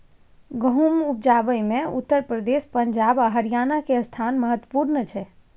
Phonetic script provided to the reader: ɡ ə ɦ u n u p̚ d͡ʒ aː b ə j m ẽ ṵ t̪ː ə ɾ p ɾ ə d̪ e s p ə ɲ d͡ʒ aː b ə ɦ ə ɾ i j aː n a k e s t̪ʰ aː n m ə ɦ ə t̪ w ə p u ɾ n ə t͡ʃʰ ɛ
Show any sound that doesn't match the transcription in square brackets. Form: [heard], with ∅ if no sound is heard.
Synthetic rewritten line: ɡ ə ɦ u [m] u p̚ d͡ʒ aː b ə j m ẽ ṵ t̪ː ə ɾ p ɾ ə d̪ e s p ə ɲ d͡ʒ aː b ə ɦ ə ɾ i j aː n a k e s t̪ʰ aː n m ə ɦ ə t̪ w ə p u ɾ n ə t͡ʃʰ ɛ